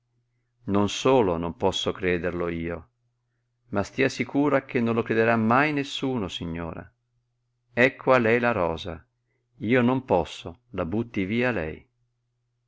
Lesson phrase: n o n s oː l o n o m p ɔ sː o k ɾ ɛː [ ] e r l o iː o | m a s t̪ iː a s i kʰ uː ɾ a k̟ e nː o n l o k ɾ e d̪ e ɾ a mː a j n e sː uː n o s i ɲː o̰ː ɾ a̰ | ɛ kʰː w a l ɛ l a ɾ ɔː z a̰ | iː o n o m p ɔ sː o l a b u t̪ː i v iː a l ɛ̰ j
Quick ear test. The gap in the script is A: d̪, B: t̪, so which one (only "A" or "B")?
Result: A